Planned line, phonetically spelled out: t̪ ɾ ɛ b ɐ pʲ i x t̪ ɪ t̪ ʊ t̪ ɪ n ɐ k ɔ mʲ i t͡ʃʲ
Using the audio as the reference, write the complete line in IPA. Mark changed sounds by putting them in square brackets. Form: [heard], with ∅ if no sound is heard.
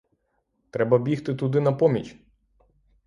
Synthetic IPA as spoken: t̪ ɾ ɛ b ɐ [bʲ] i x t̪ ɪ t̪ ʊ [d̪] ɪ n ɐ [p] ɔ mʲ i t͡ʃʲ

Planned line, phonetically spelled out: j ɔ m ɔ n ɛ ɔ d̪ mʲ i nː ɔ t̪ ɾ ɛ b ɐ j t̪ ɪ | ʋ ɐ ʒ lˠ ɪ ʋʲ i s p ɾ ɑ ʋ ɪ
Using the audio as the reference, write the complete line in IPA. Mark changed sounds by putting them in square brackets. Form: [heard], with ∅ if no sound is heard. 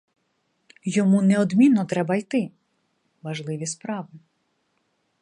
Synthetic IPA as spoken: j ɔ m [u] n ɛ ɔ d̪ mʲ i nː ɔ t̪ ɾ ɛ b ɐ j t̪ ɪ | ʋ ɐ ʒ lˠ ɪ ʋʲ i s p ɾ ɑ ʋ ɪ

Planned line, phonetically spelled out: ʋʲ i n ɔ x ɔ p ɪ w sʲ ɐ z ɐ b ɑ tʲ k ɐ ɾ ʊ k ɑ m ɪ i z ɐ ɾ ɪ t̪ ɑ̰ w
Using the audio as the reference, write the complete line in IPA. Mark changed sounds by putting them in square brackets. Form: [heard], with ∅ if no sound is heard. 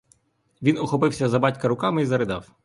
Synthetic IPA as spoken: ʋʲ i n ɔ x ɔ p ɪ w sʲ ɐ z ɐ b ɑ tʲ k ɐ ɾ ʊ k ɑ m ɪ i z ɐ ɾ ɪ [d̪] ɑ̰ w

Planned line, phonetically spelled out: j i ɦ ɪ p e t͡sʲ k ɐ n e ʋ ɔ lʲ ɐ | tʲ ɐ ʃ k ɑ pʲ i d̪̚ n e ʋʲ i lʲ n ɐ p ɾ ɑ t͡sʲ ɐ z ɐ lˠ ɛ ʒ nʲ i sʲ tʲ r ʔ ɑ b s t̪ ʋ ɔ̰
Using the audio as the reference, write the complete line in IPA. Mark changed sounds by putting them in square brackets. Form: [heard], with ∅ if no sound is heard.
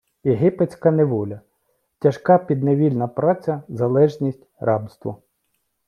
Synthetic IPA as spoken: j [e] ɦ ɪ p e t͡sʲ k ɐ n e ʋ ɔ lʲ ɐ | tʲ ɐ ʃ k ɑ pʲ i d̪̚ n e ʋʲ i lʲ n ɐ p ɾ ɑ t͡sʲ ɐ z ɐ lˠ ɛ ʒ nʲ i sʲ tʲ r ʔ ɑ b s t̪ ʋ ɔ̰

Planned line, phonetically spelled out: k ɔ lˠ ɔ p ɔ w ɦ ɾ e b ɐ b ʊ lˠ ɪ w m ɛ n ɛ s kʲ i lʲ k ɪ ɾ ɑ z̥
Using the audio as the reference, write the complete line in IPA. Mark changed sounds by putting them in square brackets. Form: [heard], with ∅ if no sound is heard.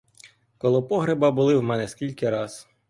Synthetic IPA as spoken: k ɔ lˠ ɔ p ɔ [∅] ɦ ɾ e b ɐ b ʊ lˠ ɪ w m ɛ n ɛ s kʲ i lʲ k ɪ ɾ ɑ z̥

